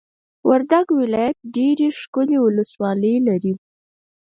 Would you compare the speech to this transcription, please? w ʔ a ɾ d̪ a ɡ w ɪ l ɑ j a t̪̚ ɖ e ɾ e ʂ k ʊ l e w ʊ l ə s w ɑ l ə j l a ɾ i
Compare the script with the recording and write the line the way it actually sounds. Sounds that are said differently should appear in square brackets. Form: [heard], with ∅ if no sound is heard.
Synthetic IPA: w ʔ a ɾ d̪ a ɡ w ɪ l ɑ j a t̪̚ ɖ e ɾ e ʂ k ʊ l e w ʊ l ə s w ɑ l ə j l a ɾ i